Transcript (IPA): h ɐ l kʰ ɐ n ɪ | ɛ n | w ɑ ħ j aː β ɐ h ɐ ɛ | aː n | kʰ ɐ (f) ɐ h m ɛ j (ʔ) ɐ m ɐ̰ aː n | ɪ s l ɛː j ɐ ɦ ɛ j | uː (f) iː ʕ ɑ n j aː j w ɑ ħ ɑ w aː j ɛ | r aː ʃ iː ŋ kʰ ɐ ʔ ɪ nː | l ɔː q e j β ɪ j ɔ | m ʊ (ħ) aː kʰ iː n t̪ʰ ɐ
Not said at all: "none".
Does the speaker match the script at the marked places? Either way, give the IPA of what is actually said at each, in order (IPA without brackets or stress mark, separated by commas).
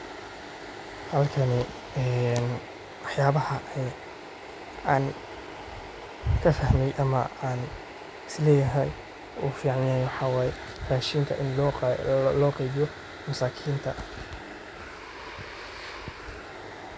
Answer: f, ʔ, f, s